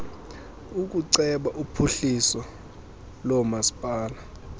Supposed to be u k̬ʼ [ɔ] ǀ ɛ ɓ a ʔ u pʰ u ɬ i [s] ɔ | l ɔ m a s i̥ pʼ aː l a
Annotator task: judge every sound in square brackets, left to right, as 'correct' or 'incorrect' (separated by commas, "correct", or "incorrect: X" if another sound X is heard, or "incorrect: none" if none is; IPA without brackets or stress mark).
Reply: incorrect: u, correct